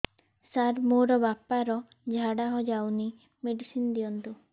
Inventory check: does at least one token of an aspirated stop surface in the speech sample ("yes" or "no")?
no